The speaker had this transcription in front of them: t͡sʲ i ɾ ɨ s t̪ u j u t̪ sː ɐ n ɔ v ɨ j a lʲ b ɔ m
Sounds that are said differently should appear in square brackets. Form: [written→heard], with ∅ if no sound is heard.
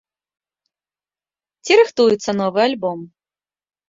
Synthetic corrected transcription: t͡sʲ i ɾ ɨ [s→x] t̪ u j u t̪ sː ɐ n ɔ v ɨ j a lʲ b ɔ m